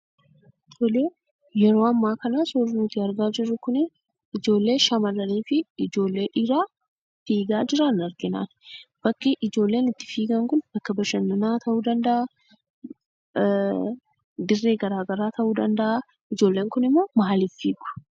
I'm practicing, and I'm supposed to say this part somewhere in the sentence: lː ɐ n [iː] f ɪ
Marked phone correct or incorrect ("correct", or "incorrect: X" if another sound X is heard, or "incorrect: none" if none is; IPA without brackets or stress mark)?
correct